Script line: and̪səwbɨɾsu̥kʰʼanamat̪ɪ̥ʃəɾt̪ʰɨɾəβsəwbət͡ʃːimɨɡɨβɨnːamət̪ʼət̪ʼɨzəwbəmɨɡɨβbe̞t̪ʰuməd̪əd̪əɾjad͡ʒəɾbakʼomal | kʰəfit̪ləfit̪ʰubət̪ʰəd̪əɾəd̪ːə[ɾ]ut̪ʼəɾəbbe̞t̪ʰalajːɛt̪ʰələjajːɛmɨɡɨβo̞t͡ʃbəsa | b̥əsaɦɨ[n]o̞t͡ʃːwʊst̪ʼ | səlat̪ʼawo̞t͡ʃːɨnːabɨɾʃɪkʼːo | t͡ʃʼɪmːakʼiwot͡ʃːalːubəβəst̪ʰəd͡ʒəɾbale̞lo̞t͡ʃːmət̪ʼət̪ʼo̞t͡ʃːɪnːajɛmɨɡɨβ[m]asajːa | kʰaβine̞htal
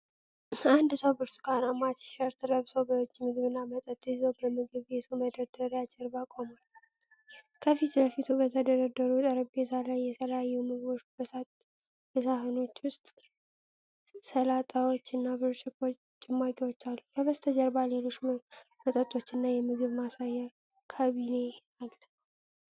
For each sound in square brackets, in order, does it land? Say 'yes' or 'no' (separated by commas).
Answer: yes, yes, yes